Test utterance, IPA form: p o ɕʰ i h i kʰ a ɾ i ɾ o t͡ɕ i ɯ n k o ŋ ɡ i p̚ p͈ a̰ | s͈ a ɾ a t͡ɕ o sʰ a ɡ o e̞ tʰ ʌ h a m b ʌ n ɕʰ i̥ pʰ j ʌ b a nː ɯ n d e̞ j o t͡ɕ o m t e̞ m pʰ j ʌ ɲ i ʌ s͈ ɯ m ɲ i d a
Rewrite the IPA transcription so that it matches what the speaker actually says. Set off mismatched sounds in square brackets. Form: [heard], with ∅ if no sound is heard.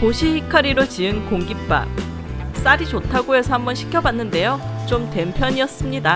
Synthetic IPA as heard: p o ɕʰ i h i kʰ a ɾ i ɾ o t͡ɕ i ɯ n k o ŋ ɡ i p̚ p͈ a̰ | s͈ a ɾ [i] t͡ɕ o [tʰ] a ɡ o e̞ [sʰ] ʌ h a m b ʌ n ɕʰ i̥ [kʰ] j ʌ b a nː ɯ n d e̞ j o t͡ɕ o m t e̞ m pʰ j ʌ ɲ i ʌ s͈ ɯ m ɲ i d a